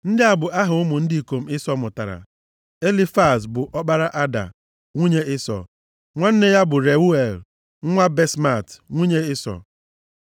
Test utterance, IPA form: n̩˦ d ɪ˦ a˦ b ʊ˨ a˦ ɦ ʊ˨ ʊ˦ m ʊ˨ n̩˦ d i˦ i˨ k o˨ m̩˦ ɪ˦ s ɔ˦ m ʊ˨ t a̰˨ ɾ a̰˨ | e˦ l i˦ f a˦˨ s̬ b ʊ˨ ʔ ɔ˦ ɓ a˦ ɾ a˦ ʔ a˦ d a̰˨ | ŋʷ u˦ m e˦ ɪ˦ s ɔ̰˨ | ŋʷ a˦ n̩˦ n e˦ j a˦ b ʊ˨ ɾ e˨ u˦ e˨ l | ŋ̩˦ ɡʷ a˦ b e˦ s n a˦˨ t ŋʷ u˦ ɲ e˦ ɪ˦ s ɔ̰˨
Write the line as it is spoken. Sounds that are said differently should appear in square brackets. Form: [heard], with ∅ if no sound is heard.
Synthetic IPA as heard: n̩˦ d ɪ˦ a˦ b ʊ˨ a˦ ɦ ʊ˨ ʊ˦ m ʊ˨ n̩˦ d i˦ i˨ k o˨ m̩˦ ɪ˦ s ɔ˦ m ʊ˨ t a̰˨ ɾ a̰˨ | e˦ l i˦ f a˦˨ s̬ b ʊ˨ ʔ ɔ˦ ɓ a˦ ɾ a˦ ʔ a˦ d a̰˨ | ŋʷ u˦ [ɲ] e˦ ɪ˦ s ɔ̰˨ | ŋʷ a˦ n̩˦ n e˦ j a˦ b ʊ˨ ɾ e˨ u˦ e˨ l | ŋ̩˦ [ŋʷ] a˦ b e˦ s [m] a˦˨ t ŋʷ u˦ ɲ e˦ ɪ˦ s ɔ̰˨

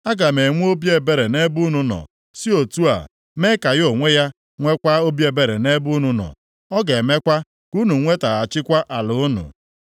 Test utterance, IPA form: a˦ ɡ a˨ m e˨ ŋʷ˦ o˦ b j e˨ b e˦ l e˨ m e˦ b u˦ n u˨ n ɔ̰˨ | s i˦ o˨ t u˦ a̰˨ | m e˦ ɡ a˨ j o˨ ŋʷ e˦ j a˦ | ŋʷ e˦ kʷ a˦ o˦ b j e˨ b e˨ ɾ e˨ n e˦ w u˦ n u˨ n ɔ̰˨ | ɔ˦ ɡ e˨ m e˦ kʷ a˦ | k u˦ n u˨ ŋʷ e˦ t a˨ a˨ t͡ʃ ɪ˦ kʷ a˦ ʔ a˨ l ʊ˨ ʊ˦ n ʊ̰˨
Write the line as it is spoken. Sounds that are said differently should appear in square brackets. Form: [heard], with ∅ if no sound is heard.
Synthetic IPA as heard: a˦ ɡ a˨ m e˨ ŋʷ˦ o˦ b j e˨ b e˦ [ɾ] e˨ [n] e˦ b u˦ n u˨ n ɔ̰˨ | s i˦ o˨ t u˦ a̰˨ | m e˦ [k] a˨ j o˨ ŋʷ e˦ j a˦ | ŋʷ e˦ kʷ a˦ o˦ b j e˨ b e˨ ɾ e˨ n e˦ [b] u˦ n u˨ n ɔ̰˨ | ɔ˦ ɡ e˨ m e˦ kʷ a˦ | k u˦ n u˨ ŋʷ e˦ t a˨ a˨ t͡ʃ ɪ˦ kʷ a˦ ʔ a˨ l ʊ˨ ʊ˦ n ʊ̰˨

